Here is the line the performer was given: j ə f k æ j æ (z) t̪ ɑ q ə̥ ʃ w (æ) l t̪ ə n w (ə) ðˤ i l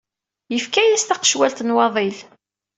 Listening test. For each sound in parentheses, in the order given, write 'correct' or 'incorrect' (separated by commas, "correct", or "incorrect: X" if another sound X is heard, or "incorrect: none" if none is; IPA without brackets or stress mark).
incorrect: s, correct, incorrect: ɑ